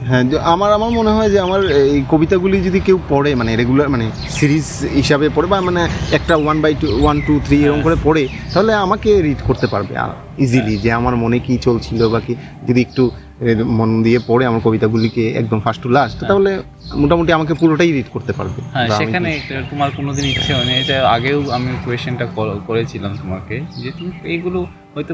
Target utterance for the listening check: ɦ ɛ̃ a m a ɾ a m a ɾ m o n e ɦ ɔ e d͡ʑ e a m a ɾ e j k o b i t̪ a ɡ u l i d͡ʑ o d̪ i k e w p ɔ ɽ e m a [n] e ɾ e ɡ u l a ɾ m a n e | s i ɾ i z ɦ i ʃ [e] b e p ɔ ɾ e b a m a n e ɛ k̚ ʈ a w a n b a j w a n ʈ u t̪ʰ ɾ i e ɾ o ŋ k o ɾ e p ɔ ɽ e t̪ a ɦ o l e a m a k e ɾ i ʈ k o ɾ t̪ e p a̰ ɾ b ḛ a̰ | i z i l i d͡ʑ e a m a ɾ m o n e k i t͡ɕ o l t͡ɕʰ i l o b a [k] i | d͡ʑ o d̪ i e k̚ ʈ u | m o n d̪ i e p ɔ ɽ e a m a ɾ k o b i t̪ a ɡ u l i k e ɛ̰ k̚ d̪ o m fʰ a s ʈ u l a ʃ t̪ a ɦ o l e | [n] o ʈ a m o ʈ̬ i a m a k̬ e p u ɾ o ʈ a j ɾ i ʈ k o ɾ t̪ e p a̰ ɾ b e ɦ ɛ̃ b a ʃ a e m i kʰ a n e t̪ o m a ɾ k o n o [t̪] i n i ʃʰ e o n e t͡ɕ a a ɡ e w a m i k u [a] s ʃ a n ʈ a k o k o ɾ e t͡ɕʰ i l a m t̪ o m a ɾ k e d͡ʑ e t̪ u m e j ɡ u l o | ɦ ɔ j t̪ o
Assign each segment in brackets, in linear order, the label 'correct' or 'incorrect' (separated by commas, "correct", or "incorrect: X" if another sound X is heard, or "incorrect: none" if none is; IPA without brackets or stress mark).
correct, incorrect: a, correct, incorrect: m, incorrect: d̪, incorrect: e